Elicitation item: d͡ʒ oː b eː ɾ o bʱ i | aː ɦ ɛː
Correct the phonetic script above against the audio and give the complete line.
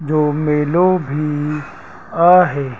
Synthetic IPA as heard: d͡ʒ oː m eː l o bʱ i | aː ɦ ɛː